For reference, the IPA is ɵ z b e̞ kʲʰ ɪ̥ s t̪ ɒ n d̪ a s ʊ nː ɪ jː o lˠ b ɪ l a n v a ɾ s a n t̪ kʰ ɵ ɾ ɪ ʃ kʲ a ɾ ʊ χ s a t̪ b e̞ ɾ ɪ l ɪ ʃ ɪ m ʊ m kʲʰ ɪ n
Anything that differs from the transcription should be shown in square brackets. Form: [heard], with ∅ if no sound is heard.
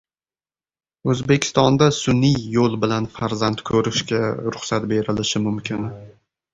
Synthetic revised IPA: ɵ z b e̞ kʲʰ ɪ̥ s t̪ ɒ n d̪ a s ʊ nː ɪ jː o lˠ b ɪ l a n [f] a ɾ [z] a n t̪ kʰ ɵ ɾ ɪ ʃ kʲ a ɾ ʊ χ s a t̪ b e̞ ɾ ɪ l ɪ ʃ ɪ m ʊ m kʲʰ ɪ n